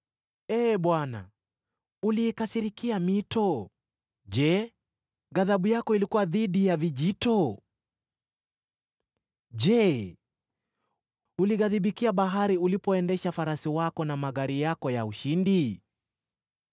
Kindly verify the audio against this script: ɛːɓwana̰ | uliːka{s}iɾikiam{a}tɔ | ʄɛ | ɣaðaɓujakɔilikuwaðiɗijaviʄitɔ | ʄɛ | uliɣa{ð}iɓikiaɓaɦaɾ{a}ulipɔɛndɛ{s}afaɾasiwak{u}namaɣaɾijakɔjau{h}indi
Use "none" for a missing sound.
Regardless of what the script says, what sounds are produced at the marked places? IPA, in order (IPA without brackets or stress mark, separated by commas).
s, i, ð, i, ʃ, ɔ, ʃ